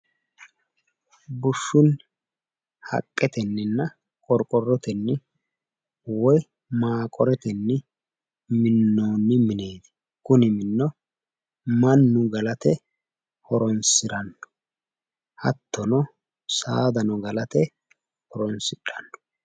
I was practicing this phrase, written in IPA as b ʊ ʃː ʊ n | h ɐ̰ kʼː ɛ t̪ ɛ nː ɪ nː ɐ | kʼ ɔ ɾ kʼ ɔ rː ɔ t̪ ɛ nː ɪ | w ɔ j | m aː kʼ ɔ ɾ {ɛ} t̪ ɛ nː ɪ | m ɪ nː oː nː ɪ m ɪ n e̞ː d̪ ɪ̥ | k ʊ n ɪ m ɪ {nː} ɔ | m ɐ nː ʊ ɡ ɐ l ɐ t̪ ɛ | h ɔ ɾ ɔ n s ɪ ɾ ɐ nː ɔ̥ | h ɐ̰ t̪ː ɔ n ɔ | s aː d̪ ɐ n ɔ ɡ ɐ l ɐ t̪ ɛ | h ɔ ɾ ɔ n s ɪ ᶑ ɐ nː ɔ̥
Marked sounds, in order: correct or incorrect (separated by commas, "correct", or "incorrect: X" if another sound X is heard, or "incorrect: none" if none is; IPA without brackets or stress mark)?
correct, correct